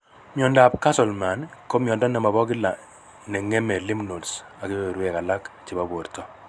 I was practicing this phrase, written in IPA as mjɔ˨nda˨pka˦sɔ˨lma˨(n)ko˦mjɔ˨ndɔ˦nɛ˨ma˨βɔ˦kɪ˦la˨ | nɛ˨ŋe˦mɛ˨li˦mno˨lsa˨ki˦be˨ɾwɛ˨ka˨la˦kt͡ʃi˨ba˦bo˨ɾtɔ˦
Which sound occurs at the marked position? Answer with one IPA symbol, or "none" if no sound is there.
n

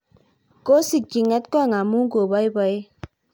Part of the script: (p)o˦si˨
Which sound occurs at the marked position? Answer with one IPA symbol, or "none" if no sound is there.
k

